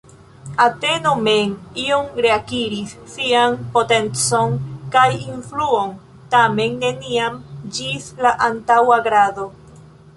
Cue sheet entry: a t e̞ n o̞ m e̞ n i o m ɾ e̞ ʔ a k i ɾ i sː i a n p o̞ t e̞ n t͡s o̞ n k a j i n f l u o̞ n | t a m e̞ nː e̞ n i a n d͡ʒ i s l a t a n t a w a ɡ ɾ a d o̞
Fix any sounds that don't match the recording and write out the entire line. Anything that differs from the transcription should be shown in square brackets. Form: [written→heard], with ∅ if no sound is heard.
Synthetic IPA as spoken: a t e̞ n o̞ m e̞ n i o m ɾ e̞ [ʔ→∅] a k i ɾ i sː i a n p o̞ t e̞ n t͡s o̞ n k a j i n f l u o̞ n | t a m e̞ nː e̞ n i a [n→m] d͡ʒ i s l a [t→ʔ] a n t a w a ɡ ɾ a d o̞